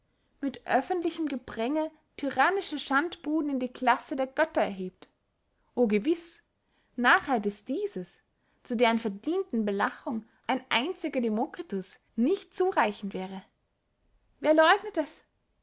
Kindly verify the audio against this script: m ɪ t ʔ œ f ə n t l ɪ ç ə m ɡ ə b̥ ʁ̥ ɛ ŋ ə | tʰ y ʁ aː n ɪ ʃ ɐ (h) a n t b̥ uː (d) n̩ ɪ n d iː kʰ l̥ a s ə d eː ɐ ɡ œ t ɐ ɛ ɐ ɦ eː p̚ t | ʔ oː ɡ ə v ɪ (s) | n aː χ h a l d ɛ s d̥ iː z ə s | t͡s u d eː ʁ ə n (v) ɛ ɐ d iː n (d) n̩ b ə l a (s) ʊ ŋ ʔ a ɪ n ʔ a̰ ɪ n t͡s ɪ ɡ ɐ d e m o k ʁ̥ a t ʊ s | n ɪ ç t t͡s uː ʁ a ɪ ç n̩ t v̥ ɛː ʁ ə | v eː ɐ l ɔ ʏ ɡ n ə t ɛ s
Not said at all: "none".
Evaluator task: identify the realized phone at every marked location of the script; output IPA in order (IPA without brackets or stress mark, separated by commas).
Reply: ʃ, d, s, f, t, χ